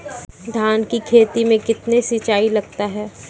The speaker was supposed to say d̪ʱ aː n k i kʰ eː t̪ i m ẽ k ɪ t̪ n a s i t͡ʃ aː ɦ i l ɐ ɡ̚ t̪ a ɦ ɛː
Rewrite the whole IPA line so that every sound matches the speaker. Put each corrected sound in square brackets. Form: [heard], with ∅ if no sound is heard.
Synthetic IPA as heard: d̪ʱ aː n k i kʰ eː t̪ i m ẽ k ɪ t̪ n [e] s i t͡ʃ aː [∅] i l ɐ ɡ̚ t̪ a ɦ ɛː